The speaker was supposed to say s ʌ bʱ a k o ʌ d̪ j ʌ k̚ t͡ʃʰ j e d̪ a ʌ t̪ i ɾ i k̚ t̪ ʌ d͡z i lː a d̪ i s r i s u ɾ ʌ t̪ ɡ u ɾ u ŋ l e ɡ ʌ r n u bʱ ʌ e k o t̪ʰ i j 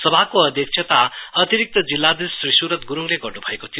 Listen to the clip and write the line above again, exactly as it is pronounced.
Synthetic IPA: s ʌ bʱ a k o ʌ d̪ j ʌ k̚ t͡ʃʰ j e t̪ a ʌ t̪ i ɾ i k̚ t̪ ʌ d͡z i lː a d̪ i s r i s u ɾ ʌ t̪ ɡ u ɾ u ŋ l e ɡ ʌ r n u bʱ ʌ e k o t̪ʰ i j